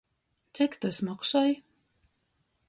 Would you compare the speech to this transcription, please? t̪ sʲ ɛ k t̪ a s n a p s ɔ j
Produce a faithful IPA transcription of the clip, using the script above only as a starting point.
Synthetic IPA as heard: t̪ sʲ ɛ k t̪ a s m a k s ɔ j